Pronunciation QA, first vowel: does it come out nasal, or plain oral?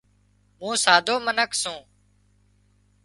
nasal